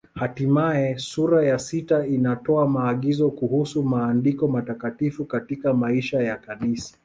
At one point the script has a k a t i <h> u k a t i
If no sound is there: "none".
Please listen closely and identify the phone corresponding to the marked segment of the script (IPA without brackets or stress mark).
f